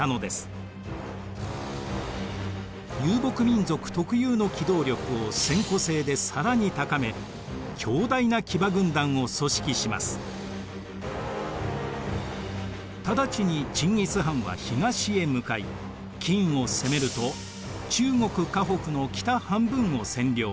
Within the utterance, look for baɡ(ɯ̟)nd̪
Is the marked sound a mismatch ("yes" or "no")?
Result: yes